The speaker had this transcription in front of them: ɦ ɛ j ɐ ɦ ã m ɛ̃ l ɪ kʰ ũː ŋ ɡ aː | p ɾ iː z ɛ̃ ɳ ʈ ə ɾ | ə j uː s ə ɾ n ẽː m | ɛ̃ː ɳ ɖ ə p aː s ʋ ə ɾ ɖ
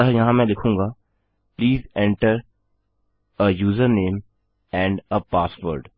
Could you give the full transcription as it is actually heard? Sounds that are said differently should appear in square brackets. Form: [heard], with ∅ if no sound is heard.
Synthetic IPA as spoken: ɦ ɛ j ɐ ɦ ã m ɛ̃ l ɪ kʰ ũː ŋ ɡ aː | p [l] iː z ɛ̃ ɳ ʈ ə ɾ | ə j uː [z] ə ɾ n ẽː m | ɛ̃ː ɳ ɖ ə p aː s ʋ ə ɾ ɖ